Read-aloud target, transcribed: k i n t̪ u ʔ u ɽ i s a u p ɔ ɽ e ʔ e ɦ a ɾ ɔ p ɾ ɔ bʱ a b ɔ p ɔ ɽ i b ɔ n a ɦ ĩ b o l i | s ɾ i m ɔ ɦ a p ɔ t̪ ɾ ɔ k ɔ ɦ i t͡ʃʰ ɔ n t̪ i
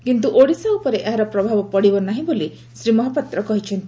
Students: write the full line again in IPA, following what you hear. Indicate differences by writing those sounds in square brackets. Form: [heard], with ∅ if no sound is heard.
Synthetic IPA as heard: k i n t̪ u ʔ [o] ɽ i s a u p ɔ [ɾ] e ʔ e ɦ a ɾ ɔ p ɾ ɔ bʱ a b ɔ p ɔ ɽ i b ɔ n a ɦ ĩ b o l i | s ɾ i m ɔ ɦ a p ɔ t̪ ɾ ɔ k ɔ ɦ i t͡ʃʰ ɔ n t̪ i